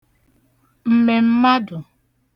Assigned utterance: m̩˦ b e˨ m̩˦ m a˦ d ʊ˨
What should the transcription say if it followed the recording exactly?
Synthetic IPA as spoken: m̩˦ m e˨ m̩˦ m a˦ d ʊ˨